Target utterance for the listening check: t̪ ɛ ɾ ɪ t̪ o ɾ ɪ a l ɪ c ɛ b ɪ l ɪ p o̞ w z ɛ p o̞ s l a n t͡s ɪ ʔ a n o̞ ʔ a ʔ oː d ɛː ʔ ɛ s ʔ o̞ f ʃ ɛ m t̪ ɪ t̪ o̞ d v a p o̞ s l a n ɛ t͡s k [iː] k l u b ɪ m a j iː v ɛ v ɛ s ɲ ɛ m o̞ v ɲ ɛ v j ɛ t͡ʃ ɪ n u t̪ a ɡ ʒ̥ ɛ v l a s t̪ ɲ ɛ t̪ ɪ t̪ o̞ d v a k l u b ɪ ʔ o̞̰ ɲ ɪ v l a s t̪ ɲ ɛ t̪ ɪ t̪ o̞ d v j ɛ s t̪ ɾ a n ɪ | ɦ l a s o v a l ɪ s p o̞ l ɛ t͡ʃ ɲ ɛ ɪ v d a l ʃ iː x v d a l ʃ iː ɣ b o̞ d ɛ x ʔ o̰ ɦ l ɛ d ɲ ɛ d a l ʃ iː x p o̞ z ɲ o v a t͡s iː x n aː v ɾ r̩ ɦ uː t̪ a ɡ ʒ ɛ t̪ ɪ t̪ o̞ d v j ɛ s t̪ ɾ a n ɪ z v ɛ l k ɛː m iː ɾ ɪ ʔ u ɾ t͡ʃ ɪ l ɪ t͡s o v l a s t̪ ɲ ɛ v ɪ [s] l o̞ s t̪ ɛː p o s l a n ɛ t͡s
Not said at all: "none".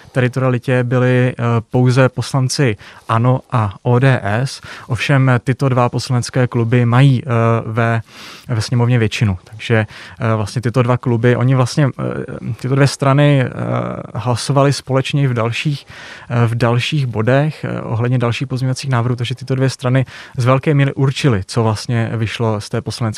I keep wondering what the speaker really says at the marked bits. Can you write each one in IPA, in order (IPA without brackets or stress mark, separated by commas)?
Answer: ɛː, ʃ